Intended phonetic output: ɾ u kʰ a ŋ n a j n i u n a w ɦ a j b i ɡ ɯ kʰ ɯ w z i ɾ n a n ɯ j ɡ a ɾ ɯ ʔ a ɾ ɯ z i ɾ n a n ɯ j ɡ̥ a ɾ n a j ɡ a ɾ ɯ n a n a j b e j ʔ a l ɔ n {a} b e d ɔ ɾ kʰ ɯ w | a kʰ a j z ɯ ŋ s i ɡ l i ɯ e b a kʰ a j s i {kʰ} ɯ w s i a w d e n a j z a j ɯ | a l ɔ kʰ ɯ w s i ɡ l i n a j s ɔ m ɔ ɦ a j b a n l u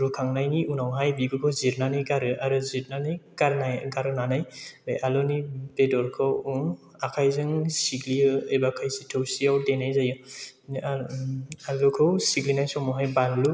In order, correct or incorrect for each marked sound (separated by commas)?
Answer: incorrect, incorrect